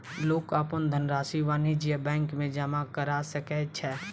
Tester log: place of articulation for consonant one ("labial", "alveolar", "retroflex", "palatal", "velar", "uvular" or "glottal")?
alveolar